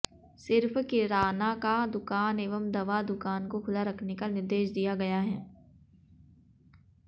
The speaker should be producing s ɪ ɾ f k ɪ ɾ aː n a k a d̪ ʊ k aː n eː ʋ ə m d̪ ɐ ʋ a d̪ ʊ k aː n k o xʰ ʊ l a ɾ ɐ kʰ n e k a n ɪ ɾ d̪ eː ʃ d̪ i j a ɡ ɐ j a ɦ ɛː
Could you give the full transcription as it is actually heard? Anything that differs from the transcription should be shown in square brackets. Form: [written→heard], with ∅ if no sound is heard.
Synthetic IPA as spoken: s ɪ ɾ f k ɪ ɾ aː n a k a d̪ ʊ k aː n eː ʋ ə m d̪ ɐ ʋ a d̪ ʊ k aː n k o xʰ ʊ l a ɾ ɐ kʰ n e k a n ɪ ɾ d̪ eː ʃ d̪ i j a ɡ ɐ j a ɦ ɛː